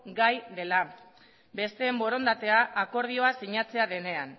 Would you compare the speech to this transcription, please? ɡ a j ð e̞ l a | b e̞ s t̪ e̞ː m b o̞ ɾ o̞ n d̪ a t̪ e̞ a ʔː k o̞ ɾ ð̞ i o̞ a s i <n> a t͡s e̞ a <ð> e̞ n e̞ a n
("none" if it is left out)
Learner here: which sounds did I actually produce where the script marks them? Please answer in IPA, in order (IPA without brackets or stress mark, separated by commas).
ɲ, ð